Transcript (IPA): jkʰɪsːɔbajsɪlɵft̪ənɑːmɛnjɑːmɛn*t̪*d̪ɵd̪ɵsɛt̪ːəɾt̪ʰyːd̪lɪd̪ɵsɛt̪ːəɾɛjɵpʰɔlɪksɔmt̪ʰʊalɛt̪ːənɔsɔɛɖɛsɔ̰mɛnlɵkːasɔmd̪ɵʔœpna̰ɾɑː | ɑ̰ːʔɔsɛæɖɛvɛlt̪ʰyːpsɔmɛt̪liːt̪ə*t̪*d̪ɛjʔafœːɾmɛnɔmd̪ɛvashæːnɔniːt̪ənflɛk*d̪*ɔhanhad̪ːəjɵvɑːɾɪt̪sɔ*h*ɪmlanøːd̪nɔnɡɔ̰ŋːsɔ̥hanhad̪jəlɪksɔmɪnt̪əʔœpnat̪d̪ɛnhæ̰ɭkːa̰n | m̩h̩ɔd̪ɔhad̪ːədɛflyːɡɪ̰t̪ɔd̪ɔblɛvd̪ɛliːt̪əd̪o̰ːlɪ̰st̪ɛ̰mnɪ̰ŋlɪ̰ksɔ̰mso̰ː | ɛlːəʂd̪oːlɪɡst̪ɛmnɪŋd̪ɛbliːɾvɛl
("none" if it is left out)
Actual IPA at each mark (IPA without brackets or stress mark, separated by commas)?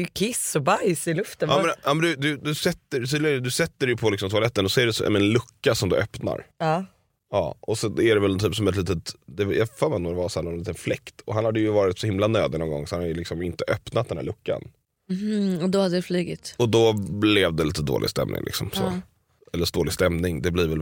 d̪, t̪, t̪, h